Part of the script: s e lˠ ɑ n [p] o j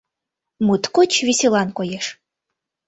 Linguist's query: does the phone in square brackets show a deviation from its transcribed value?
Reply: yes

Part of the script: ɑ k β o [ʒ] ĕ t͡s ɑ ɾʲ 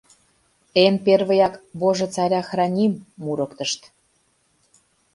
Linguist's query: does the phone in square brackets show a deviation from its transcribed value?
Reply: no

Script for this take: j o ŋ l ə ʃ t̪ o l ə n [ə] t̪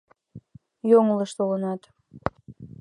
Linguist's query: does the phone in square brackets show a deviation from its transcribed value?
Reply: yes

